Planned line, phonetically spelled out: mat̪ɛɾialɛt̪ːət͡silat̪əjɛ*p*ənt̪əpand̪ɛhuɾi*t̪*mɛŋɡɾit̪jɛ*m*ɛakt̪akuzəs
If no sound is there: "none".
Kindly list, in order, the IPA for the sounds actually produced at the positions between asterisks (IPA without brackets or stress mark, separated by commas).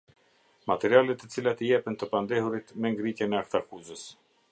p, t̪, n